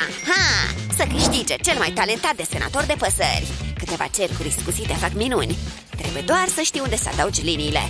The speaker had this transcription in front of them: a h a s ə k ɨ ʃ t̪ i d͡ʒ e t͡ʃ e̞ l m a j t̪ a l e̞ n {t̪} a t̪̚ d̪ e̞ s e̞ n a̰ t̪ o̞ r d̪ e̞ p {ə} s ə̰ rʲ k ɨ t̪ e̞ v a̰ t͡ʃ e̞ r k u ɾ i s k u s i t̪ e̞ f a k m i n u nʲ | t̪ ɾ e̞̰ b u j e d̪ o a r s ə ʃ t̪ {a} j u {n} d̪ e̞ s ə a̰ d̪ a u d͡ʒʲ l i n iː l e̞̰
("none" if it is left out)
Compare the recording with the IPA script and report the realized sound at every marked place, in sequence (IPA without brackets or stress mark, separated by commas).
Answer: t̪, ə, i, n